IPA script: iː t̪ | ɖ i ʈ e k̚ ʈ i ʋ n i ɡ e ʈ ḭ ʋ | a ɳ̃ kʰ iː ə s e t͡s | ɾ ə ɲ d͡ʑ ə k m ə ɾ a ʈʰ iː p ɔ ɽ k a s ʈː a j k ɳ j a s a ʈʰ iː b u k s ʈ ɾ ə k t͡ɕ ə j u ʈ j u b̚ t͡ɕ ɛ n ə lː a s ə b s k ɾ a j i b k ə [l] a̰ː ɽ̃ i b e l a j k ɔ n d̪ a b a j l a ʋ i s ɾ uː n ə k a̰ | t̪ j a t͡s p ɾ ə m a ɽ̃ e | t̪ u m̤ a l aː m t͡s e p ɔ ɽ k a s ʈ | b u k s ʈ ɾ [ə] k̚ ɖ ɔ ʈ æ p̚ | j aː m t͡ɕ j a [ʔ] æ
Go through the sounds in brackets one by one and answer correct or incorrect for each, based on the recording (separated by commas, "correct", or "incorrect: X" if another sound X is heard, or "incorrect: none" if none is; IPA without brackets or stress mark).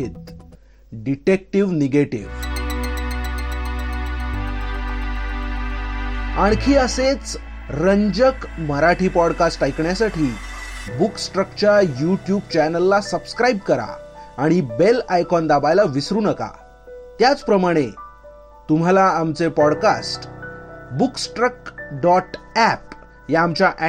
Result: incorrect: ɾ, correct, correct